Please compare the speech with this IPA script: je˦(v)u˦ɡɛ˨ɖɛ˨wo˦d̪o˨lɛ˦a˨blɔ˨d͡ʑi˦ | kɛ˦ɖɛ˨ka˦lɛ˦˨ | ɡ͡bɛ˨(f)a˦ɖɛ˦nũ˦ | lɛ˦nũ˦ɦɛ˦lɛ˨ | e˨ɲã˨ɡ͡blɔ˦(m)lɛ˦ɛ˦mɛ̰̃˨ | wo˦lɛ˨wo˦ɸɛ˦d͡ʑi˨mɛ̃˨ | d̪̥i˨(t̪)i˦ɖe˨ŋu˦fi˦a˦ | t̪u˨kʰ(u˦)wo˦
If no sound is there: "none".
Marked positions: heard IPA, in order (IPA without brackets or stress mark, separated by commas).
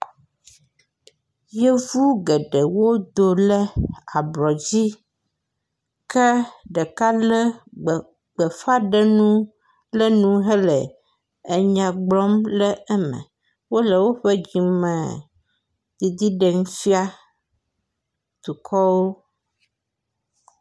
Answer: v, f, m, d̪, ɔ˦